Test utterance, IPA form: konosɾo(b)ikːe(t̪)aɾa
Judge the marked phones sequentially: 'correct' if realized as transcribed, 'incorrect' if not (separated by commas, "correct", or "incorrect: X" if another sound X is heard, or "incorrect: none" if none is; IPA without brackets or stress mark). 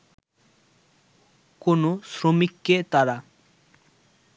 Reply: incorrect: m, correct